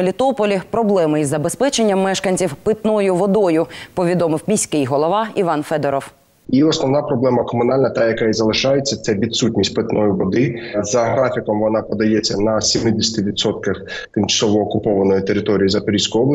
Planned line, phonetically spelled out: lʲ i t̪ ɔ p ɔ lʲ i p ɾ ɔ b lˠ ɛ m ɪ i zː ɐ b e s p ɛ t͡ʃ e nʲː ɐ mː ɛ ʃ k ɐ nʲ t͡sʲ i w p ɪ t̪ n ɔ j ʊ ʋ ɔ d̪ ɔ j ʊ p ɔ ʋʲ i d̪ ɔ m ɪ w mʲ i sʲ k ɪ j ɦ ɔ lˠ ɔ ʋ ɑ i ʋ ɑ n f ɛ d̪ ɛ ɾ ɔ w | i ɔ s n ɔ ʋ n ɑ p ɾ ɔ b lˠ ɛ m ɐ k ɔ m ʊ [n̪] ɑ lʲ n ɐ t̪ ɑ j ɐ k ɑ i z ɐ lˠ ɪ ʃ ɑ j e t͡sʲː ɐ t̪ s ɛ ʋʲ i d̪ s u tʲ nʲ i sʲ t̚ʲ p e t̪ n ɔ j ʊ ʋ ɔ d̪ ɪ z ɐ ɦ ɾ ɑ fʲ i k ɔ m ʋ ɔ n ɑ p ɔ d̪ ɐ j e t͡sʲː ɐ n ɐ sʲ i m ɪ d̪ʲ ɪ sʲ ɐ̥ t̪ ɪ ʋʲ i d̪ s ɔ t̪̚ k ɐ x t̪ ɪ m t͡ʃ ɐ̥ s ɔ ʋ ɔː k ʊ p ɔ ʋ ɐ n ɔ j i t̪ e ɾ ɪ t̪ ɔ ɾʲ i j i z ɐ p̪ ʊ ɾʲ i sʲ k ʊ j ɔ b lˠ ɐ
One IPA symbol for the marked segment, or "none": n̪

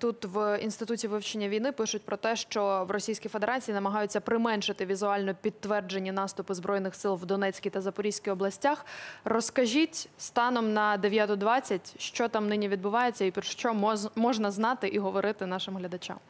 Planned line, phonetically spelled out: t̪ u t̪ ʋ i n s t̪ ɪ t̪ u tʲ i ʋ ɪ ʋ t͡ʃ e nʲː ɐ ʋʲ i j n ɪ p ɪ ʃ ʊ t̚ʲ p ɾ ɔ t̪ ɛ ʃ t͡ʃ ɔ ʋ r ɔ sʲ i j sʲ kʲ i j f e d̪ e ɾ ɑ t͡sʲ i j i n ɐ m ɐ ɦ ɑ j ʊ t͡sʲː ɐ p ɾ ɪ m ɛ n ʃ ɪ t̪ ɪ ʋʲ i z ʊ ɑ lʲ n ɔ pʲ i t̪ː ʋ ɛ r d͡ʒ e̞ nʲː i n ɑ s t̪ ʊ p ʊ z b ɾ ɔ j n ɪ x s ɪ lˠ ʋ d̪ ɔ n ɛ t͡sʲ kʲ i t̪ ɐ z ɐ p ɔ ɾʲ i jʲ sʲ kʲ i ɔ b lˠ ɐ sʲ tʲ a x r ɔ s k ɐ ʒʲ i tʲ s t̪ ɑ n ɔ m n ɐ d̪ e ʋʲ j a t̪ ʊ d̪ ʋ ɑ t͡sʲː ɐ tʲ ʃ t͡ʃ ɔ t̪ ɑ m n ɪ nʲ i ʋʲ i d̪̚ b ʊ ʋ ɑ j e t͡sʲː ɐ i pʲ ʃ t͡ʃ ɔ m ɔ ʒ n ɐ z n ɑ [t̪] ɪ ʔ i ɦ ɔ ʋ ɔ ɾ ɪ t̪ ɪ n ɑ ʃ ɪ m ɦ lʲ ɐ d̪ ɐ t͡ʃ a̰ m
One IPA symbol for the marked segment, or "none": t̪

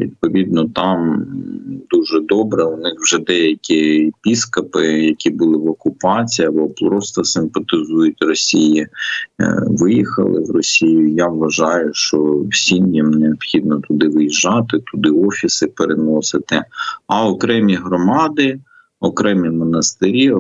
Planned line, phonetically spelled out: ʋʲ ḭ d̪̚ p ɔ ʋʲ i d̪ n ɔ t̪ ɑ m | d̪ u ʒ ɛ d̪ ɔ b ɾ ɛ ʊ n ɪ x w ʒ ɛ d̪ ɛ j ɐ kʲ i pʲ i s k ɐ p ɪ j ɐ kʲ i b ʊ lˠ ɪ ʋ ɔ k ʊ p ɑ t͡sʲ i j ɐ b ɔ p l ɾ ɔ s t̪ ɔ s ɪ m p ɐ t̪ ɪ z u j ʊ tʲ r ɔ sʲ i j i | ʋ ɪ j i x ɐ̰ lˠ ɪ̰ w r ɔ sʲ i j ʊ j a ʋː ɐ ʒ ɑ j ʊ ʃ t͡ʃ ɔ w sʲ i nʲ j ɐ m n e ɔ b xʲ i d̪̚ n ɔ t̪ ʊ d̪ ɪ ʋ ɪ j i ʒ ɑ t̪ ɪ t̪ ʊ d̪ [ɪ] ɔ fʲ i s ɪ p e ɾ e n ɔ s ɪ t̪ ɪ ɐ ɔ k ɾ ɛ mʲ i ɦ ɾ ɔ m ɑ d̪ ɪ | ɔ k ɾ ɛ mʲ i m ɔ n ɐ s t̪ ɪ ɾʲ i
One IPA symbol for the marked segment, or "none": ɪ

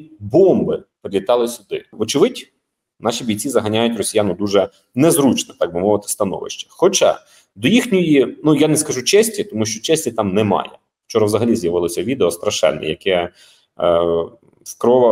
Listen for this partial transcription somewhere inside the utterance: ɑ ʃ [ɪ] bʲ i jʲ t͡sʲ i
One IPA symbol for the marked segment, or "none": i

